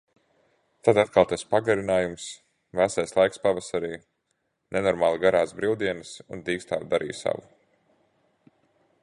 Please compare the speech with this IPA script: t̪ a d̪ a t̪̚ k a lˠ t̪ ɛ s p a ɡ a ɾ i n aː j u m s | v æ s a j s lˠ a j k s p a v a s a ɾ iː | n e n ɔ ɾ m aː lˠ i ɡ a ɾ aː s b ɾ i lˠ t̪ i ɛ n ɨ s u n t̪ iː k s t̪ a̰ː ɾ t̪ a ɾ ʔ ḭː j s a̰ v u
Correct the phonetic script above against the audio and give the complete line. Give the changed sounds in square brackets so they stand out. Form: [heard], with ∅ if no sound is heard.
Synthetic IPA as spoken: t̪ a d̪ a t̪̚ k a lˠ t̪ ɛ s p a ɡ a ɾ i n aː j u m s | v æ s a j s lˠ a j k s p a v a s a ɾ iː | n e n ɔ ɾ m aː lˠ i ɡ a ɾ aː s b ɾ i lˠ [d̪] i ɛ n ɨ s u n [d̪] iː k s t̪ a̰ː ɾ [d̪] a ɾ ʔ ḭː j s a̰ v u